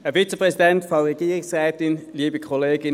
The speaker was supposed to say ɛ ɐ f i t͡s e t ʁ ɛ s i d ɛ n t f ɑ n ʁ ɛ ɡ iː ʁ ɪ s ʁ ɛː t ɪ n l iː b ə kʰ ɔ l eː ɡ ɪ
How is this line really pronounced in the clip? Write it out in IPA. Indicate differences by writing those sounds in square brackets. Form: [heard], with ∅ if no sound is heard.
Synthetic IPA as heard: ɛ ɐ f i t͡s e [p] ʁ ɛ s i d ɛ n t f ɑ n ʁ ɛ ɡ iː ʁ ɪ s ʁ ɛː t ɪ n l iː b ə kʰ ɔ l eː ɡ ɪ